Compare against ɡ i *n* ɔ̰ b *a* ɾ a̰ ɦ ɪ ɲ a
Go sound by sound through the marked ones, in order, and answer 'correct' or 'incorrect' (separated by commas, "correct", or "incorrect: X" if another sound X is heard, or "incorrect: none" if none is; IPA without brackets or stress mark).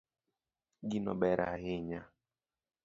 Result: correct, incorrect: ɛ